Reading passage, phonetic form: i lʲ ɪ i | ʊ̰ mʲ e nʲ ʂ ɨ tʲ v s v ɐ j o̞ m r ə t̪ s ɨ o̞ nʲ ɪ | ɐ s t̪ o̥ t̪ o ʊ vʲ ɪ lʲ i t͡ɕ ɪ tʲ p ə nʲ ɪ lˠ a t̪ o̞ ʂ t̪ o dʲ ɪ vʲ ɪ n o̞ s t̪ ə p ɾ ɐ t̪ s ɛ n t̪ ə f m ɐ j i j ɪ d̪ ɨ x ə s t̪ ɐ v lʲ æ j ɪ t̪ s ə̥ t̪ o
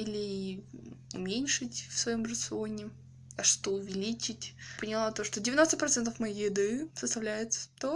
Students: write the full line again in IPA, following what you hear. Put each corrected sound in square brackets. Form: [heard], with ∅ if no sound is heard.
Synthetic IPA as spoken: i lʲ ɪ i | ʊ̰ mʲ e nʲ ʂ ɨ tʲ [f] s v ɐ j o̞ m r ə t̪ s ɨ o̞ nʲ ɪ | ɐ [ʂ] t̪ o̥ t̪ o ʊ vʲ ɪ lʲ i t͡ɕ ɪ tʲ p ə nʲ ɪ lˠ a t̪ o̞ ʂ t̪ o dʲ ɪ vʲ ɪ n o̞ s t̪ ə p ɾ ɐ t̪ s ɛ n t̪ ə f m ɐ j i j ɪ d̪ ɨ [s] ə s t̪ ɐ v lʲ æ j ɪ t̪ s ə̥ t̪ o

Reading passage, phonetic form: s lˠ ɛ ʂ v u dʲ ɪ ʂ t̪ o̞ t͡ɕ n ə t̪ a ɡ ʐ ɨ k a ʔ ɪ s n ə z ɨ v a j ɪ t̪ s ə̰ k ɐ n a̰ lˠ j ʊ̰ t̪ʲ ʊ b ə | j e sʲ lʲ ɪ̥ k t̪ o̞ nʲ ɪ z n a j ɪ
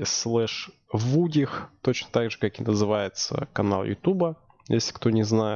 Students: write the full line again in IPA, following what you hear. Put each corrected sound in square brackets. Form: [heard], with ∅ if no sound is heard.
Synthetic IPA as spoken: s lˠ ɛ ʂ v u dʲ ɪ [x] t̪ o̞ t͡ɕ n ə t̪ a ɡ ʐ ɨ k a [k] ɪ [∅] n ə z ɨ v a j ɪ t̪ s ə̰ k ɐ n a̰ lˠ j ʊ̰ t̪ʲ [u] b ə | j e sʲ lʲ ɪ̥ k t̪ o̞ nʲ ɪ z n a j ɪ

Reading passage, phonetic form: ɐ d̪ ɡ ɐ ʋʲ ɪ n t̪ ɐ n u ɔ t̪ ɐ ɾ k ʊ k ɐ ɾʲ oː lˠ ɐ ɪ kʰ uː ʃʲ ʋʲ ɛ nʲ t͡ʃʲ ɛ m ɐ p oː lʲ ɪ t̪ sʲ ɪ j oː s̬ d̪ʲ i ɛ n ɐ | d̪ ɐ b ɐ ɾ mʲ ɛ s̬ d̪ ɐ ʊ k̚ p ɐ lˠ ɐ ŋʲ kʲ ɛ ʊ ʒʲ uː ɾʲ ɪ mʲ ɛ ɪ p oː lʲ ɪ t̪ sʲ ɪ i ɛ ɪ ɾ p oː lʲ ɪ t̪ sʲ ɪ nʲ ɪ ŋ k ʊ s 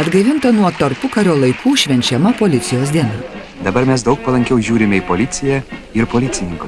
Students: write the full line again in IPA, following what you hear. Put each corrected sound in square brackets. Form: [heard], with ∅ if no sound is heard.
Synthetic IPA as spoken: ɐ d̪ ɡ ɐ ʋʲ ɪ n t̪ ɐ n u ɔ t̪ ɐ ɾ [p] ʊ k ɐ ɾʲ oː lˠ ɐ ɪ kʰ uː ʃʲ ʋʲ ɛ nʲ t͡ʃʲ ɛ m ɐ p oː lʲ ɪ t̪ sʲ ɪ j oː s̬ d̪ʲ i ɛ n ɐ | d̪ ɐ b ɐ ɾ mʲ ɛ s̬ d̪ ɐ ʊ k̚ p ɐ lˠ ɐ ŋʲ kʲ ɛ ʊ ʒʲ uː ɾʲ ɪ mʲ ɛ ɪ p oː lʲ ɪ t̪ sʲ ɪ [j] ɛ ɪ ɾ p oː lʲ ɪ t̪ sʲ ɪ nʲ ɪ ŋ k ʊ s

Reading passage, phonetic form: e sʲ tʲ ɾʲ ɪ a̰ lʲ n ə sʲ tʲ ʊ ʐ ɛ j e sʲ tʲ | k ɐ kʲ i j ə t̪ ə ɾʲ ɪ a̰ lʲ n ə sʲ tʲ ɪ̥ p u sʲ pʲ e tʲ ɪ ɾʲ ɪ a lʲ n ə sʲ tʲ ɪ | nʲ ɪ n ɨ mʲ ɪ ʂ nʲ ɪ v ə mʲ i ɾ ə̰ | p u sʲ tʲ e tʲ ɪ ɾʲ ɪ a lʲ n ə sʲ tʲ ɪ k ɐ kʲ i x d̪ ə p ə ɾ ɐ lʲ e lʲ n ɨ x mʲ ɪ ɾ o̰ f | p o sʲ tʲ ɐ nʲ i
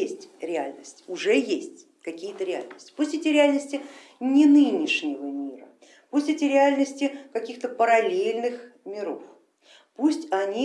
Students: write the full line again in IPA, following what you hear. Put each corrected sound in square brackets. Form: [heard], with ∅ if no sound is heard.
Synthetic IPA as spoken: e sʲ tʲ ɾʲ ɪ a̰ lʲ n ə sʲ tʲ ʊ ʐ ɛ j e sʲ tʲ | k ɐ kʲ i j ə t̪ ə ɾʲ ɪ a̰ lʲ n ə sʲ tʲ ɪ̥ p u sʲ [tʲ] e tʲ ɪ ɾʲ ɪ a lʲ n ə sʲ tʲ ɪ | nʲ ɪ n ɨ [nʲ] ɪ ʂ nʲ ɪ v ə mʲ i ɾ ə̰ | p u sʲ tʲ e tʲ ɪ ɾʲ ɪ a lʲ n ə sʲ tʲ ɪ k ɐ kʲ i x [t̪] ə p ə ɾ ɐ lʲ e lʲ n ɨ x mʲ ɪ ɾ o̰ f | p [u] sʲ tʲ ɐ nʲ i

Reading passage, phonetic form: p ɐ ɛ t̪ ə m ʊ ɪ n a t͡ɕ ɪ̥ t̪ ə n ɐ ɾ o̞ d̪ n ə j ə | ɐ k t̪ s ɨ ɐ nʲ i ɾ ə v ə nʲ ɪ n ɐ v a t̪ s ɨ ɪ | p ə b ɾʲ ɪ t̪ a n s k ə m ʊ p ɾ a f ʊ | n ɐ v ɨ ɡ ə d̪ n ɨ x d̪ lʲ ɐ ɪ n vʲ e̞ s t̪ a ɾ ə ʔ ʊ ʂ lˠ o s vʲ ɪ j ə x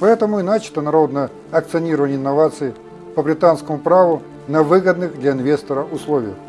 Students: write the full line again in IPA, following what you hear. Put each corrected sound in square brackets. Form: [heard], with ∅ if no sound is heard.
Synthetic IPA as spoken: p ɐ ɛ t̪ ə m ʊ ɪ n a t͡ɕ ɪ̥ t̪ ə n ɐ ɾ o̞ d̪ n ə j ə | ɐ k t̪ s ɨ ɐ nʲ i ɾ ə v ə nʲ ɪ [nː] ɐ v a t̪ s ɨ ɪ | p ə b ɾʲ ɪ t̪ a n s k ə m ʊ p ɾ a [v] ʊ | n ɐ v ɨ ɡ ə d̪ n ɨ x d̪ lʲ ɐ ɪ n vʲ e̞ s t̪ [ə] ɾ ə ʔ ʊ [s] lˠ o [∅] vʲ ɪ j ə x

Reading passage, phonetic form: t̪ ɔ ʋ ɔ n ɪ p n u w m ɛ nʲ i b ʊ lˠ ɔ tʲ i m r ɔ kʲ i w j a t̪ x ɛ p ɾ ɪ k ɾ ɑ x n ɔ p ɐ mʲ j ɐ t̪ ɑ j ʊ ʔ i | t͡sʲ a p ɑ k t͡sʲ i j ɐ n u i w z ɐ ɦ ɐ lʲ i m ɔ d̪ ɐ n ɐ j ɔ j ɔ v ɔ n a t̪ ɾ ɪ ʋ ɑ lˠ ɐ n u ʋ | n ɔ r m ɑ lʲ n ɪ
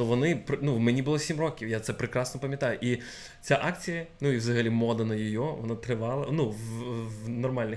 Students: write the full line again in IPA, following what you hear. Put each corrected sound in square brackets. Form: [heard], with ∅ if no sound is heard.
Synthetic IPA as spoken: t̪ ɔ ʋ ɔ n ɪ p n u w m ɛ nʲ i b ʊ lˠ ɔ [sʲ] i m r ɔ kʲ i w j a t̪ [s] ɛ p ɾ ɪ k ɾ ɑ [s] n ɔ p ɐ mʲ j ɐ t̪ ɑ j ʊ ʔ i | t͡sʲ a [ʔ] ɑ k t͡sʲ i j ɐ n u i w z ɐ ɦ ɐ lʲ i m ɔ d̪ ɐ n ɐ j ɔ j ɔ [ʋ] ɔ n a t̪ ɾ ɪ ʋ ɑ lˠ ɐ n u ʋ | n ɔ r m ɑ lʲ n ɪ

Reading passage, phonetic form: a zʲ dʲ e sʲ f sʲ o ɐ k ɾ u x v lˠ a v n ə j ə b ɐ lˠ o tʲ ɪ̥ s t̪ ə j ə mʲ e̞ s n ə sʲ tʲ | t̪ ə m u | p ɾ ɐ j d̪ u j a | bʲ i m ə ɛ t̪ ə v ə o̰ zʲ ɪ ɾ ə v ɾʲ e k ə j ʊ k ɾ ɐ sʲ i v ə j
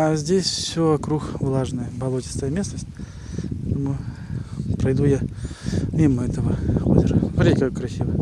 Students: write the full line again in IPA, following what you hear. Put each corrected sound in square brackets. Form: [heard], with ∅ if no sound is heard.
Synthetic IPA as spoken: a zʲ dʲ e sʲ f sʲ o ɐ k ɾ u x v lˠ a [ʐ] n ə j ə b ɐ lˠ o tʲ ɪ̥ s t̪ ə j ə mʲ e̞ s n ə sʲ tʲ | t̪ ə m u | p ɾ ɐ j d̪ u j a | [mʲ] i m ə ɛ t̪ ə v ə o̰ zʲ ɪ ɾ ə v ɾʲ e k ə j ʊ k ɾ ɐ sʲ i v ə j

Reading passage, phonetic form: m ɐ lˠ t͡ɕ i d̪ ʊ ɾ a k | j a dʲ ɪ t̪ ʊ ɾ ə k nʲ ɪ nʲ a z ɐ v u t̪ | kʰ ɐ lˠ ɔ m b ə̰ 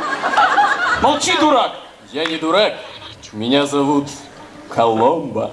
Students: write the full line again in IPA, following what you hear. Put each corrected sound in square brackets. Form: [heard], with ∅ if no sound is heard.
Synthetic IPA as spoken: m ɐ lˠ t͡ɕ i d̪ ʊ ɾ a k | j a [nʲ] ɪ [d̪] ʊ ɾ [a] k [mʲ] ɪ nʲ a z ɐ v u t̪ | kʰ ɐ lˠ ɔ m b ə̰

